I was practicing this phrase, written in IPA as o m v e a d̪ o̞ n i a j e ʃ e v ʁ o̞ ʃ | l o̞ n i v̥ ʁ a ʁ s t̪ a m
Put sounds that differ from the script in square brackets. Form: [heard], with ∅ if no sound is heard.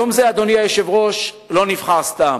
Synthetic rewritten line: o m [z] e a d̪ o̞ n i a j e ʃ e v ʁ o̞ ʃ | l o̞ n i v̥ [χ] a ʁ s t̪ a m